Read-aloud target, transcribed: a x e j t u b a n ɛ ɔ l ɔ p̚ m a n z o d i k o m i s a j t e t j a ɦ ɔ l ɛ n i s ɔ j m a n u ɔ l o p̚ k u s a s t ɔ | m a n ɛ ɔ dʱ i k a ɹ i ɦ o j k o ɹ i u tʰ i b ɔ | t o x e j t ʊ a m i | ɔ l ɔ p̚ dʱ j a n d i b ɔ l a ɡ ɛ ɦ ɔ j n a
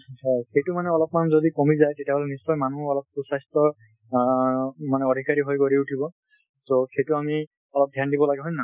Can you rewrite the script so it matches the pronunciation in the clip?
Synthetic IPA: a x e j t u m a n ɛ ɔ l ɔ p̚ m a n z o d i k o m i z a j t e t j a ɦ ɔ l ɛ n i s ɔ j m a n u ɔ l ɔ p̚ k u s a s t ɔ | m a n ɛ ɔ dʱ i k a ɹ i ɦ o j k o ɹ i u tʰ i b ɔ | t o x e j t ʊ a m i | ɔ l ɔ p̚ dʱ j a n d i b ɔ l a ɡ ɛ ɦ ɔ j n a